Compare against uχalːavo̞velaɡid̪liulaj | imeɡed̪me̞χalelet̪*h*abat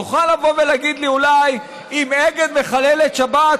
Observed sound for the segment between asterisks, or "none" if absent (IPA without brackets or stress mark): ʃ